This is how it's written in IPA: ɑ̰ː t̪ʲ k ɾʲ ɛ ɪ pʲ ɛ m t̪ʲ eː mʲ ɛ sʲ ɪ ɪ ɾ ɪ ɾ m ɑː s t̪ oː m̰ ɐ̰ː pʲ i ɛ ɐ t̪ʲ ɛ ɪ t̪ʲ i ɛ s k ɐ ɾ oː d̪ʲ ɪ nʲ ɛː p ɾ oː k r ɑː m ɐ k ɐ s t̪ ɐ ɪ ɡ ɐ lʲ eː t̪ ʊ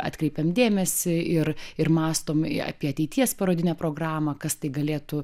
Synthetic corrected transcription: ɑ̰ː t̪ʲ k ɾʲ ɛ ɪ pʲ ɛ m d̪ʲ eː mʲ ɛ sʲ ɪ ɪ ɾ ɪ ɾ m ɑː s t̪ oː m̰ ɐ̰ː pʲ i ɛ ɐ t̪ʲ ɛ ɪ t̪ʲ i ɛ s p ɐ ɾ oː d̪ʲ ɪ nʲ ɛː p ɾ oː ɡ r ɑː m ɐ k ɐ s t̪ ɐ ɪ ɡ ɐ lʲ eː t̪ ʊ